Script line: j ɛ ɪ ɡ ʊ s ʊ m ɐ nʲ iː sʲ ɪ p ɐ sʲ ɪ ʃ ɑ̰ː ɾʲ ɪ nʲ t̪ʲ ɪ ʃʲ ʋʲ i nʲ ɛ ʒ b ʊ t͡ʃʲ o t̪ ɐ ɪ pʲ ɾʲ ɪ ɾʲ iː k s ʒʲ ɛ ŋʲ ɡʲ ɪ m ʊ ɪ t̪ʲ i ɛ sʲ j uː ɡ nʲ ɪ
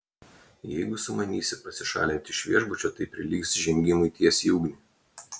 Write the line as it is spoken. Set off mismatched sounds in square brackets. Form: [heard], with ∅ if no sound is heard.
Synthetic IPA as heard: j ɛ ɪ ɡ ʊ s ʊ m ɐ nʲ iː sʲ ɪ p ɐ sʲ ɪ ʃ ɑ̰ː [lʲ] ɪ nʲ t̪ʲ ɪ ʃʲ ʋʲ i [∅] ɛ ʒ b ʊ t͡ʃʲ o t̪ ɐ ɪ pʲ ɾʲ ɪ [lʲ] iː k s ʒʲ ɛ ŋʲ ɡʲ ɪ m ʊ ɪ t̪ʲ i ɛ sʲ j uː ɡ nʲ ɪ